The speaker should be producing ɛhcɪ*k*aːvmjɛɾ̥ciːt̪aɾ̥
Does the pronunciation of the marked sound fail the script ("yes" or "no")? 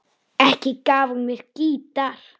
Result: no